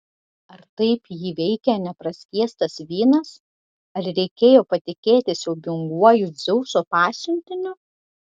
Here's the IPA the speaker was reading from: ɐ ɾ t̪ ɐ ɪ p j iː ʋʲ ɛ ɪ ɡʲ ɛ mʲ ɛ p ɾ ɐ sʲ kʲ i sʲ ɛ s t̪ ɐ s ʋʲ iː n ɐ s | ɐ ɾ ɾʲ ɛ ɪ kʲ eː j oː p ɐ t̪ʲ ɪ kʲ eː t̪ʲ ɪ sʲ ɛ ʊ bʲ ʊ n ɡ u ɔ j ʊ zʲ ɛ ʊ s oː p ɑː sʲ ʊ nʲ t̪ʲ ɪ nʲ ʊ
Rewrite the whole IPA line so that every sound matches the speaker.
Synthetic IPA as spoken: ɐ ɾ t̪ ɐ ɪ p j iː ʋʲ ɛ ɪ kʲ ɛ nʲ ɛ p ɾ ɐ sʲ kʲ i ɛ s t̪ ɐ s ʋʲ iː n ɐ s | ɐ ɾ ɾʲ ɛ ɪ kʲ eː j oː p ɐ t̪ʲ ɪ kʲ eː t̪ʲ ɪ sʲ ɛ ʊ bʲ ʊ ŋ ɡ u ɔ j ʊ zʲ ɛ ʊ s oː p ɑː sʲ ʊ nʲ t̪ʲ ɪ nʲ ʊ